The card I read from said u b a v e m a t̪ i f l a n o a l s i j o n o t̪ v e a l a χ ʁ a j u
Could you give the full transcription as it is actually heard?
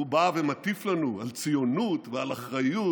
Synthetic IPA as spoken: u b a v e m a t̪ i f l a n u a l t͡s i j o n u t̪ v e a l a χ ʁ a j u